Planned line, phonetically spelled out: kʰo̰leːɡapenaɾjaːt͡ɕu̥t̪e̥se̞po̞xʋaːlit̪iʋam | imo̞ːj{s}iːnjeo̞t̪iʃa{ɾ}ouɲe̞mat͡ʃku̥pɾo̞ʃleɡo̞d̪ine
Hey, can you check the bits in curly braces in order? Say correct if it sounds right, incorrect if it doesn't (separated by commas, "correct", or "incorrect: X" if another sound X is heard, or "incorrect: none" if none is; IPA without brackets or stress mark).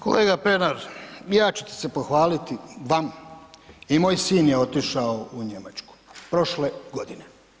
correct, incorrect: none